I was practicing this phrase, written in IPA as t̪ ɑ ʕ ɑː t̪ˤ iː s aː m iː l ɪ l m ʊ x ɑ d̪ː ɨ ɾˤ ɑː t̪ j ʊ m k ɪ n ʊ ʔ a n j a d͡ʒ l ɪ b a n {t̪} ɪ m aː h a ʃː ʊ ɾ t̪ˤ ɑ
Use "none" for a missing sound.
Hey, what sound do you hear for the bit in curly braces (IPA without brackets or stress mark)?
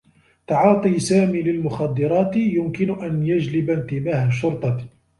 t̪